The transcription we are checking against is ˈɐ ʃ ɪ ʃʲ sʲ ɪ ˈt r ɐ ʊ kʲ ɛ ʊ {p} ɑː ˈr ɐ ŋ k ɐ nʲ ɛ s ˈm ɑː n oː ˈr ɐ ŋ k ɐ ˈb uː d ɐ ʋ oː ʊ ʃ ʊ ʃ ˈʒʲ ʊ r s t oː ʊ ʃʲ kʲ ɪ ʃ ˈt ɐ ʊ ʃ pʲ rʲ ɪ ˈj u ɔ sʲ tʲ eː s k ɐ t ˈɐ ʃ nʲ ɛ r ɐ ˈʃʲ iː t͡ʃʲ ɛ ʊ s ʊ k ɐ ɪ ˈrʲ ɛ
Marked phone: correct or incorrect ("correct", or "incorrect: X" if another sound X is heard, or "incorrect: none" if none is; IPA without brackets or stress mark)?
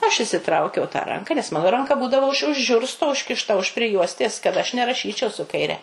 incorrect: t